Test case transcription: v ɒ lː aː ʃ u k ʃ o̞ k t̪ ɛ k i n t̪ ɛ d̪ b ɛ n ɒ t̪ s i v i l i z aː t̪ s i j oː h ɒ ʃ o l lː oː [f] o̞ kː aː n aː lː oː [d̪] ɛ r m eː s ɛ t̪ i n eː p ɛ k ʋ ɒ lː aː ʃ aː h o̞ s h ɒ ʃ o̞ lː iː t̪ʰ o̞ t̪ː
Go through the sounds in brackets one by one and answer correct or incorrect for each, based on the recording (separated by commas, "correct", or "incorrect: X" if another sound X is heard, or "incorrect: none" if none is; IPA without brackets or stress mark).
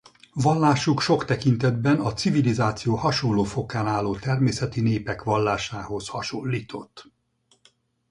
correct, incorrect: t̪